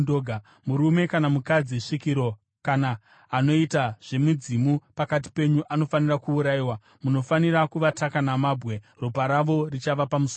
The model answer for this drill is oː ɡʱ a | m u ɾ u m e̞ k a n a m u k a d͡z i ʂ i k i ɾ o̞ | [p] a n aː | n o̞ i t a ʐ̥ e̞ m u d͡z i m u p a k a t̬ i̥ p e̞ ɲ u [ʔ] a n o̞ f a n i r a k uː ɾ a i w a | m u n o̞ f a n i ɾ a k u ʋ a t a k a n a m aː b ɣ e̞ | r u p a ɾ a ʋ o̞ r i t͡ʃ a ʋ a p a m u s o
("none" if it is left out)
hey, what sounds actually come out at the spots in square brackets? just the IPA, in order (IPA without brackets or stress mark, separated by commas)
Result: k, ʔ